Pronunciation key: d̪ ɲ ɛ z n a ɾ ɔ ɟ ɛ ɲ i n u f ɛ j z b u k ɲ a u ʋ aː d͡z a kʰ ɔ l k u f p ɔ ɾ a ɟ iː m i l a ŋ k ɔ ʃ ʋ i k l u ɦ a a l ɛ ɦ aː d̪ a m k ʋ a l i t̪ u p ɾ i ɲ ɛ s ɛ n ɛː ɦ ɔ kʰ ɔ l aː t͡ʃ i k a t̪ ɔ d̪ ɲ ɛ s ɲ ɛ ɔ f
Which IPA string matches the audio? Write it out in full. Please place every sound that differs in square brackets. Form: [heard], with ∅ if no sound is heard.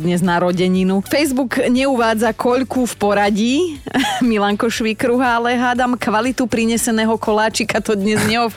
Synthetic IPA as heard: d̪ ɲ ɛ z n a ɾ ɔ ɟ ɛ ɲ i n u f ɛ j z b u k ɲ [ɛ] u ʋ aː d͡z a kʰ ɔ [ʎ] k u f p ɔ ɾ a ɟ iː m i l a ŋ k ɔ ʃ ʋ i k [ɾ] u ɦ a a l ɛ ɦ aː d̪ a m k ʋ a l i t̪ u p ɾ i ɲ ɛ s ɛ n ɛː ɦ ɔ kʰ ɔ l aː t͡ʃ i k a t̪ ɔ d̪ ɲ ɛ [z] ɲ ɛ ɔ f